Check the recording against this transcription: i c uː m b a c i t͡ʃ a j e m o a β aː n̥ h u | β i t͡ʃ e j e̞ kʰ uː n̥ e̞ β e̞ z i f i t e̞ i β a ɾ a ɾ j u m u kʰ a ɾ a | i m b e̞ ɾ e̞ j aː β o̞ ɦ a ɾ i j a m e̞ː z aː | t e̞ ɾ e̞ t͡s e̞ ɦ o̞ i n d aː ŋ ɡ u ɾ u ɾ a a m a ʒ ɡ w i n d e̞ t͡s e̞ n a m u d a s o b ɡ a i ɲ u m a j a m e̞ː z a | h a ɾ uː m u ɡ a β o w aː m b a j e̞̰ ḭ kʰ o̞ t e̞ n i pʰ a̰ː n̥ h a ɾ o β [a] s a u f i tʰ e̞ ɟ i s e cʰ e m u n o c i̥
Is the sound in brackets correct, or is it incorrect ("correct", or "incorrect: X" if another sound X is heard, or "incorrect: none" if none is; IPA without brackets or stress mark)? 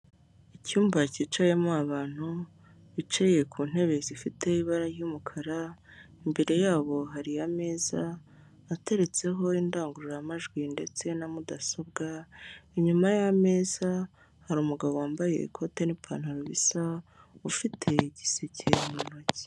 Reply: incorrect: i